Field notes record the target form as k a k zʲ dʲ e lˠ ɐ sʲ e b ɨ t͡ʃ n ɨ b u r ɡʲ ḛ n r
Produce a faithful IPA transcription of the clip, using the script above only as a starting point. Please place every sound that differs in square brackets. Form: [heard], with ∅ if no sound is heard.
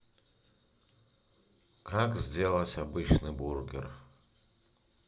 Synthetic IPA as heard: k a k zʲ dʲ e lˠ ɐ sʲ [a] b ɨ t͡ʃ n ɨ b u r ɡʲ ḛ [∅] r